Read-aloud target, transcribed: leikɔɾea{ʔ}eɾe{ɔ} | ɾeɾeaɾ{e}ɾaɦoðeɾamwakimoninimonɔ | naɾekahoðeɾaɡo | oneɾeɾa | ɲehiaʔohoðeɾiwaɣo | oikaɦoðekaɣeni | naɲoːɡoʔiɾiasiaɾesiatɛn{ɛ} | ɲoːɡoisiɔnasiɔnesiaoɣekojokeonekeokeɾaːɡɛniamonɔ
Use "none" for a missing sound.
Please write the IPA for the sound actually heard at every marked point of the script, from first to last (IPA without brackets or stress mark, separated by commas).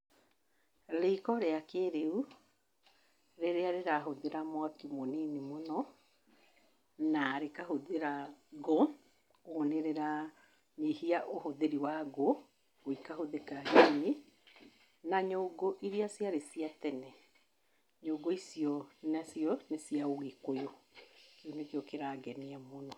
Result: k, u, e, ɛ